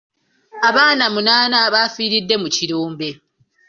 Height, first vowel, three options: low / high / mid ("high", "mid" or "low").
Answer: low